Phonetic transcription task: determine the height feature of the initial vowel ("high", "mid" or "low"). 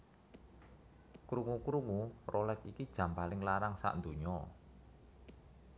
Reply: high